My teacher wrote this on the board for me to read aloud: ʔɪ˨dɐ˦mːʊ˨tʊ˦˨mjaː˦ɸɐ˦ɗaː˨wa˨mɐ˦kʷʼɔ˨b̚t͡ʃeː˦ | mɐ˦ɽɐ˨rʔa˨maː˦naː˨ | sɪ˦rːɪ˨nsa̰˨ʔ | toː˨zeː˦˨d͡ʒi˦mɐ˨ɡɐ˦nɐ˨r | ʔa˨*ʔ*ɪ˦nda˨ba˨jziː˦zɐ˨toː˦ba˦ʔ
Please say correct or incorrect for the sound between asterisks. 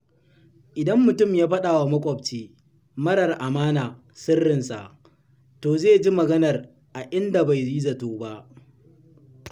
correct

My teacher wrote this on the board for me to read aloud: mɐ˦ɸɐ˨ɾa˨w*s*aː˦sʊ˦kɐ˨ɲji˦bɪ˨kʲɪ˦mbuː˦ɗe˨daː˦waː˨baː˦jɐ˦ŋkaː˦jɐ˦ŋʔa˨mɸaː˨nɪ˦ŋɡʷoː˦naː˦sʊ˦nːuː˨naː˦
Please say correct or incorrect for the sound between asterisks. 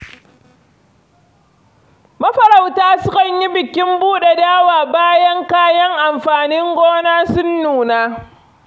incorrect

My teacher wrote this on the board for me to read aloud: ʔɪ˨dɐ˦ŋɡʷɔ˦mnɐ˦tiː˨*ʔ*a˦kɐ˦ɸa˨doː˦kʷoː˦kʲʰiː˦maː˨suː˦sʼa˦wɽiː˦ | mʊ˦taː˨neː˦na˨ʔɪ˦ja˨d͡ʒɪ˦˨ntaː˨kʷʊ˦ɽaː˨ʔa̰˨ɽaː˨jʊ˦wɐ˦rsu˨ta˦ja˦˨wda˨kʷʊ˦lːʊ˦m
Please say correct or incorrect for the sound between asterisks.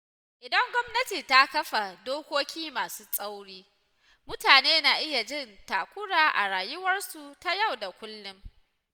incorrect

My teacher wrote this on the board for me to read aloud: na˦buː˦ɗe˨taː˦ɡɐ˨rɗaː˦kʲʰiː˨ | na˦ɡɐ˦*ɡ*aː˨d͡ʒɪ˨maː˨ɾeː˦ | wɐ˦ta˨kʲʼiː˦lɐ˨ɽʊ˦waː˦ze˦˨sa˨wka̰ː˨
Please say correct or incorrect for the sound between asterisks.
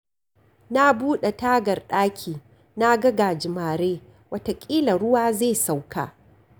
correct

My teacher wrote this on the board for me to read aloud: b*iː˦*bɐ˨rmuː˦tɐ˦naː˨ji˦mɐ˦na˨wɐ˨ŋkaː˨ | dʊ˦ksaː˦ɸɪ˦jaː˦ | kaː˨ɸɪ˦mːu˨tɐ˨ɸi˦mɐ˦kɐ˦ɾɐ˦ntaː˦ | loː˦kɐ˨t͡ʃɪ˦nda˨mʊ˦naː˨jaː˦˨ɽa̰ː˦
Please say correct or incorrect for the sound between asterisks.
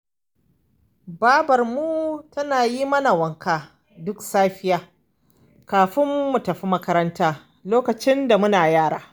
incorrect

